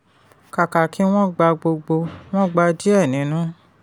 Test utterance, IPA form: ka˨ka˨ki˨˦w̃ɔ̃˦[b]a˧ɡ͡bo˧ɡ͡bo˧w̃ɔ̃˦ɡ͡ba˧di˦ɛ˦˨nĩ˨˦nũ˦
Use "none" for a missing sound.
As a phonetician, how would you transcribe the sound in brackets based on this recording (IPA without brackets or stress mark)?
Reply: ɡ͡b